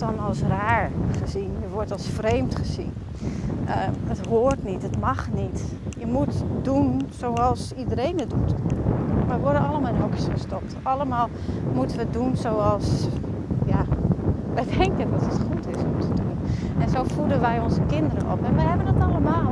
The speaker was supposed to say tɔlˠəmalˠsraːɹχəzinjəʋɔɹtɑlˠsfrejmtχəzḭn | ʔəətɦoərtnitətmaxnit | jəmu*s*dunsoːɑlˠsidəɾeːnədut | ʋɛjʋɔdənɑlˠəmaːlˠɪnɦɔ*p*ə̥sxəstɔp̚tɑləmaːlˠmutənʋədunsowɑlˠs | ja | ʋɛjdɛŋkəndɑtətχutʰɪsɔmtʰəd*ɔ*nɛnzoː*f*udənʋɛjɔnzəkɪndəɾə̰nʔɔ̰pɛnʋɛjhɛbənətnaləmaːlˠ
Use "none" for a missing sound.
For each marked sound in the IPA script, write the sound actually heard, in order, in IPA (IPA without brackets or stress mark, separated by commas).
t, k, u, f